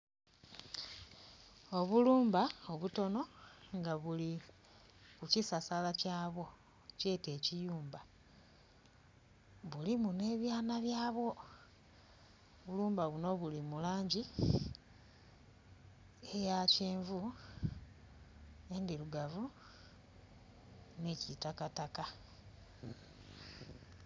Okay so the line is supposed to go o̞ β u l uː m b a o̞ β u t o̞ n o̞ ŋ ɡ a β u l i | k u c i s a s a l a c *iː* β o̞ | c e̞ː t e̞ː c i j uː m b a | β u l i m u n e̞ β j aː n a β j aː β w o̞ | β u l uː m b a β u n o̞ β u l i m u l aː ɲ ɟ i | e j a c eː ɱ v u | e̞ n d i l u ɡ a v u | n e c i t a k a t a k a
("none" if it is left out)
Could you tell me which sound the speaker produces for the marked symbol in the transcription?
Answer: aː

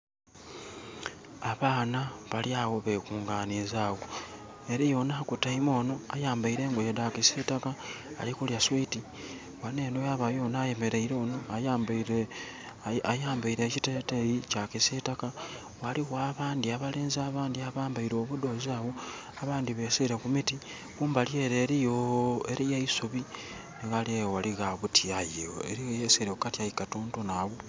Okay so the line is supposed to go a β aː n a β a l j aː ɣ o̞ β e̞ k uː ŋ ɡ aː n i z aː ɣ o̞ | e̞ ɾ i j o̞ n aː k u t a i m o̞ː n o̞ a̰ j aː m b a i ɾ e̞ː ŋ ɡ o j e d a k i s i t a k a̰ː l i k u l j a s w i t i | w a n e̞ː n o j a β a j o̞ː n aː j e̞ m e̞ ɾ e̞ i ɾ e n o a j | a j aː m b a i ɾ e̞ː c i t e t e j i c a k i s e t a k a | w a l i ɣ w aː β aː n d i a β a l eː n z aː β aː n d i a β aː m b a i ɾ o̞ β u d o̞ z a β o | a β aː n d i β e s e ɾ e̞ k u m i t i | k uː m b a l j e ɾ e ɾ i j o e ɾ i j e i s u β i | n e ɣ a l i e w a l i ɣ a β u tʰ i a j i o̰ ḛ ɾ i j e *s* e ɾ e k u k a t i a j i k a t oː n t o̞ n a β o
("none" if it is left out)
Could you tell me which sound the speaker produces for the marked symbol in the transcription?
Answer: s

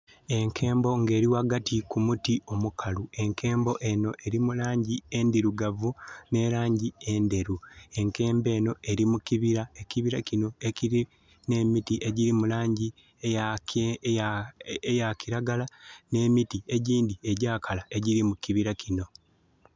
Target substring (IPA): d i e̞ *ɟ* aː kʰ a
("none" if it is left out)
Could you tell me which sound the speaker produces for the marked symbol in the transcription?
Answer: ɟ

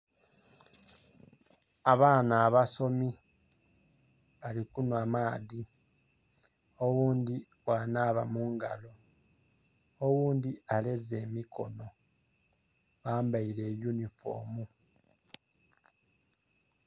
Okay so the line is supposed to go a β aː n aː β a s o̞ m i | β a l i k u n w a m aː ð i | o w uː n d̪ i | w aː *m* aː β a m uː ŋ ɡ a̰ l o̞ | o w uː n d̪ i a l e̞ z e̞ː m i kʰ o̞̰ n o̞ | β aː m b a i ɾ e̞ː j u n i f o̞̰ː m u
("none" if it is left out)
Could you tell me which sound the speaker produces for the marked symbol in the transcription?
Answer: n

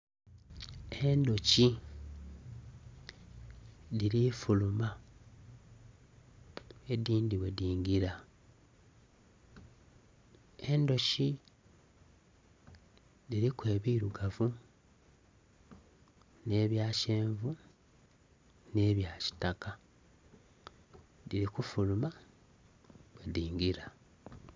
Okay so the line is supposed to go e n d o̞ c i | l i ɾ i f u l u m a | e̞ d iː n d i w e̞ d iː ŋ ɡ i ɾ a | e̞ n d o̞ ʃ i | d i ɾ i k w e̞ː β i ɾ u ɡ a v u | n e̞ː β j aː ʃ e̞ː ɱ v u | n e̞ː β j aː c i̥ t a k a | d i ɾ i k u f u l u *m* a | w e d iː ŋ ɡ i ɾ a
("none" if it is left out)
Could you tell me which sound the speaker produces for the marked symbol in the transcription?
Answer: m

